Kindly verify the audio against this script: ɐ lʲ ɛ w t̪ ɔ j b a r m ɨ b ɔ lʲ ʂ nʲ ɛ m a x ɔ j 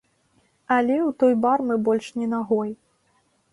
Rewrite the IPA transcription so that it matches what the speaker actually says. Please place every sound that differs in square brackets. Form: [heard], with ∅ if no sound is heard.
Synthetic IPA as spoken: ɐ lʲ ɛ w t̪ ɔ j b a r m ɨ b ɔ lʲ ʂ nʲ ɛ [n] a [ɣ] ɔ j